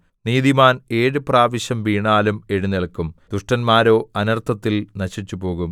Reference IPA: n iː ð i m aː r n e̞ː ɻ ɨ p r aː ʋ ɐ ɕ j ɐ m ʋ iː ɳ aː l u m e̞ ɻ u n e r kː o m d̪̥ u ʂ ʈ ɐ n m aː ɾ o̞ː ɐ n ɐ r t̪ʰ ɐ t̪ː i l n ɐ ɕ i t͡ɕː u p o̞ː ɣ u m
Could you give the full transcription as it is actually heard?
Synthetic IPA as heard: n iː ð i m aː n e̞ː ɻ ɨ p r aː ʋ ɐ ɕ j ɐ m ʋ iː ɳ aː l u m e̞ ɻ u n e ɭ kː u m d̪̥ u ʂ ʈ ɐ n m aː ɾ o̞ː ɐ n ɐ r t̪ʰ ɐ t̪ː i l n ɐ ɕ i t͡ɕː u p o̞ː ɣ u m